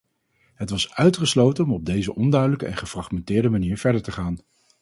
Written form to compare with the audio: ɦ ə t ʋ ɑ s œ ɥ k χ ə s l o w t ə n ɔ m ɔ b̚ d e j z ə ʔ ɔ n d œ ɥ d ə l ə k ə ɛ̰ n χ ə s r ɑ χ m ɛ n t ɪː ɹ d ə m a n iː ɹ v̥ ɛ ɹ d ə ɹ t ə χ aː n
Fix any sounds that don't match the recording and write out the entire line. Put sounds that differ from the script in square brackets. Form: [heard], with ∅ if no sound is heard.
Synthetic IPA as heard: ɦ ə t ʋ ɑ s œ ɥ [t] χ ə s l o w t ə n ɔ m ɔ b̚ d e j z ə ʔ ɔ n d œ ɥ d ə l ə k ə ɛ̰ n χ ə [f] r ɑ χ m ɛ n t ɪː ɹ d ə m a n iː ɹ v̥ ɛ ɹ d ə ɹ t ə χ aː n